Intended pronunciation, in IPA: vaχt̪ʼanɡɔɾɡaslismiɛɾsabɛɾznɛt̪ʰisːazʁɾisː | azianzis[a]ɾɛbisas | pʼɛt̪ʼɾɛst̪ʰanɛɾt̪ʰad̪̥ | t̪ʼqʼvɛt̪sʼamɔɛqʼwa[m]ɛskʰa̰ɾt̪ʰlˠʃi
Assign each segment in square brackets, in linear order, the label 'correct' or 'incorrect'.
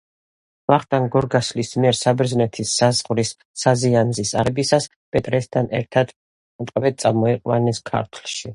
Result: correct, incorrect

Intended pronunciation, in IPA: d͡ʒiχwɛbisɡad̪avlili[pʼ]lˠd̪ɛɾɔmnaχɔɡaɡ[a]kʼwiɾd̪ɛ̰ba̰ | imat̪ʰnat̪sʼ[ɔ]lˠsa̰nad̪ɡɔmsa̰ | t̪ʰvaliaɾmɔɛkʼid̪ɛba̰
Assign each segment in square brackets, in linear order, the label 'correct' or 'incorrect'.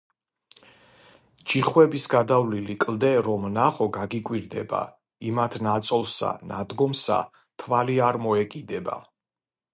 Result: incorrect, incorrect, correct

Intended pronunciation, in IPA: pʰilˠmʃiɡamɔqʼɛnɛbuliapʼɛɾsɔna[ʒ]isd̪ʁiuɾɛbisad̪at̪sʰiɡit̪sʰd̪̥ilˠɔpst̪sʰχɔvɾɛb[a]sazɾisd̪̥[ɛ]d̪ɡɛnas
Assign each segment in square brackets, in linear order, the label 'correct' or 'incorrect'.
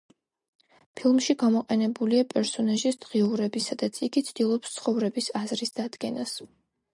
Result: correct, incorrect, incorrect

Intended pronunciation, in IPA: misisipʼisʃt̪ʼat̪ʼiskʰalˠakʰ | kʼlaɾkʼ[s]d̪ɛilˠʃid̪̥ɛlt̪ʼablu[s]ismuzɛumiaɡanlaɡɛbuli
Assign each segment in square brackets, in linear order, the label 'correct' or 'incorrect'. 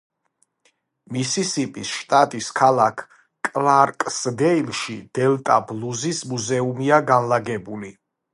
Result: correct, incorrect

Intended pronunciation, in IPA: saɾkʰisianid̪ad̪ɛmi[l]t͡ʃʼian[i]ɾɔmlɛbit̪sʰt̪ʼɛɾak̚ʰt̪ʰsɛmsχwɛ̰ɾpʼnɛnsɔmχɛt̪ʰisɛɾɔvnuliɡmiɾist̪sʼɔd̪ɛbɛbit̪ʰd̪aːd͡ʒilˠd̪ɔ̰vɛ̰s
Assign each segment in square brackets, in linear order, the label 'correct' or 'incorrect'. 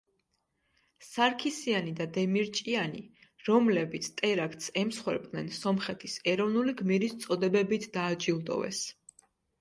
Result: incorrect, correct

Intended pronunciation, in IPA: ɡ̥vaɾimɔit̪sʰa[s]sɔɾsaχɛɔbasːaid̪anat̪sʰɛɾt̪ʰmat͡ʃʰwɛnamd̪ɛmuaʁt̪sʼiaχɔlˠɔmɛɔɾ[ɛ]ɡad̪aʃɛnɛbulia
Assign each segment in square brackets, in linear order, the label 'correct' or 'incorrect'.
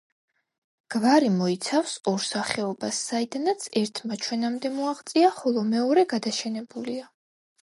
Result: incorrect, correct

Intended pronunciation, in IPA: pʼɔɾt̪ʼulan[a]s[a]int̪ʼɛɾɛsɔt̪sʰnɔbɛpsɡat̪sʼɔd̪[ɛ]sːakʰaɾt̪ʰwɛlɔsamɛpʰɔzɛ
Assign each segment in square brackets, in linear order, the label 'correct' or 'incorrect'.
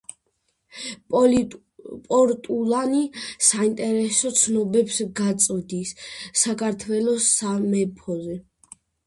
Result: incorrect, correct, incorrect

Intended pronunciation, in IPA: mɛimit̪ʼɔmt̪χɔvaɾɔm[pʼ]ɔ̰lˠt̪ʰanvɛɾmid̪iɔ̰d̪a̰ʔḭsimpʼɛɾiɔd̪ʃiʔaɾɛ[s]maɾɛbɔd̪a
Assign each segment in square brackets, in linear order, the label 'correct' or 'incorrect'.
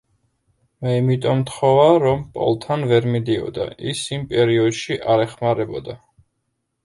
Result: correct, incorrect

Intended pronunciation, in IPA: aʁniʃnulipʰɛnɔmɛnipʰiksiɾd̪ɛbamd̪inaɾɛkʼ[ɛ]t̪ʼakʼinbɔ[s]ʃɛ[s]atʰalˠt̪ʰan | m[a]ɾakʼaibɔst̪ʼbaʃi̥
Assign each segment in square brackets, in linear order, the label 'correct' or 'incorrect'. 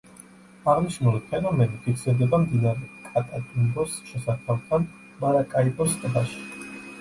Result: incorrect, correct, correct, correct

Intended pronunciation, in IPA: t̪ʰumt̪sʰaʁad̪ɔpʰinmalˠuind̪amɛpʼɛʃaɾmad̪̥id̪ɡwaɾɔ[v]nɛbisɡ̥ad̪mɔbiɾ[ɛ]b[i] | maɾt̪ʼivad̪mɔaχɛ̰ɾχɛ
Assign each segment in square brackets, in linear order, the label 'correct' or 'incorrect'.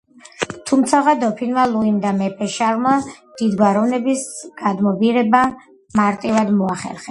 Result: correct, correct, incorrect

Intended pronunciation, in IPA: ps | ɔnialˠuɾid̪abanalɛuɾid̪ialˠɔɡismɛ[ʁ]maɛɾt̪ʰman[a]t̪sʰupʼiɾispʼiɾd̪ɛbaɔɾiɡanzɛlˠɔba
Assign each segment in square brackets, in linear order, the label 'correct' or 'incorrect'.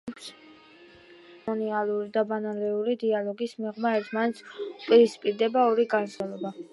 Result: correct, incorrect

